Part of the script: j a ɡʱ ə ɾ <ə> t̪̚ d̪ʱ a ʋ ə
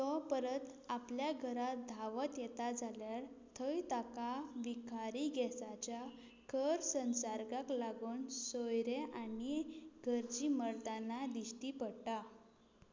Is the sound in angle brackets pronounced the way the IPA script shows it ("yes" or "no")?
no